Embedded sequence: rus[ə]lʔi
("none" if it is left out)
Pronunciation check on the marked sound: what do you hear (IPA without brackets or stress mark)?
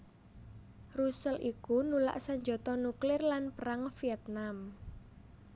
ə